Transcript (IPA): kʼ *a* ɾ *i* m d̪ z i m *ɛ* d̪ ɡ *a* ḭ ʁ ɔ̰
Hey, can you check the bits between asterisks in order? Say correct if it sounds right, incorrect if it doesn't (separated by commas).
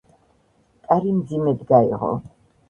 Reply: correct, correct, correct, correct